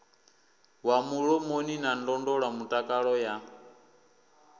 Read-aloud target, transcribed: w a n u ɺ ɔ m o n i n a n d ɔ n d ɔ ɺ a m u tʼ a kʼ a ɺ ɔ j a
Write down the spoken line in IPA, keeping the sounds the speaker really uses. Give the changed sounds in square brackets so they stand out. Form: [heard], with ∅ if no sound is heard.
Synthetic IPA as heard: w a [m] u ɺ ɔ m o n i n a n d ɔ n d ɔ ɺ a m u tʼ a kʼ a ɺ ɔ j a